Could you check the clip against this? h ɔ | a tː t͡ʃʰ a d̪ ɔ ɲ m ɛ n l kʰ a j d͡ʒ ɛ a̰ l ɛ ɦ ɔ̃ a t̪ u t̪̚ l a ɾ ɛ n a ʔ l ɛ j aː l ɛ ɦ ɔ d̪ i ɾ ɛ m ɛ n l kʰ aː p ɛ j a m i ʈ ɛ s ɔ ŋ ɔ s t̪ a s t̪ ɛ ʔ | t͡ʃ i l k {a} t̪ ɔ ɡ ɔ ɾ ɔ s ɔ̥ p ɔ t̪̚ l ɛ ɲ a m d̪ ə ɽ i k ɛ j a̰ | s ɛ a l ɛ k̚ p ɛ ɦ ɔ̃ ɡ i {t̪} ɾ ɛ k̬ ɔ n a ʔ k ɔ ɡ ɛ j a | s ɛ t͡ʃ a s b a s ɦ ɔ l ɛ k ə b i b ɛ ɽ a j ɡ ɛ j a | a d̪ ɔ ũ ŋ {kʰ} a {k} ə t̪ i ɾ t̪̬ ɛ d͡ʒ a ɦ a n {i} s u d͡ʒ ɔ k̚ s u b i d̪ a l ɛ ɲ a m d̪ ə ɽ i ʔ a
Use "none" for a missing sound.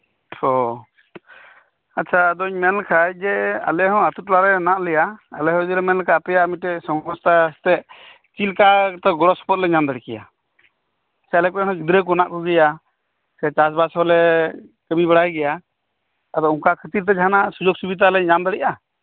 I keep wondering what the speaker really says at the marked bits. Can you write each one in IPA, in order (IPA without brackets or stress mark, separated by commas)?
a, d̪, k, kʰ, a